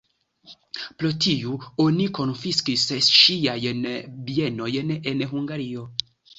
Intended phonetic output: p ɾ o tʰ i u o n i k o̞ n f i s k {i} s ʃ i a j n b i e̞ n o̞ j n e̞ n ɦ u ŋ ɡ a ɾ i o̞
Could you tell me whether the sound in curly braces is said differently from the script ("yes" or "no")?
no